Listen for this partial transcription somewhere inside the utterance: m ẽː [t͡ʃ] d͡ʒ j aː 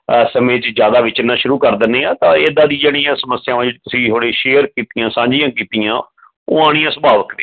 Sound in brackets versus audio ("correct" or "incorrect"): correct